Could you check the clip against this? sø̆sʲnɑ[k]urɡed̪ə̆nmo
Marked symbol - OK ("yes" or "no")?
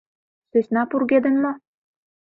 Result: no